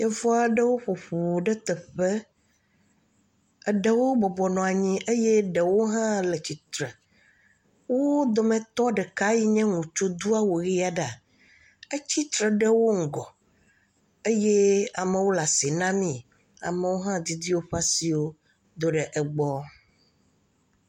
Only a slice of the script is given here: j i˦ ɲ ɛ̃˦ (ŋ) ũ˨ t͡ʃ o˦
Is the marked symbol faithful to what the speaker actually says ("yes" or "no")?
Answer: yes